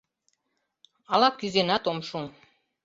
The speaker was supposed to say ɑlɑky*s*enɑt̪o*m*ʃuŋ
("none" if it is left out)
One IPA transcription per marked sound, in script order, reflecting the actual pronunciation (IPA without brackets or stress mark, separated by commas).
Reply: z, m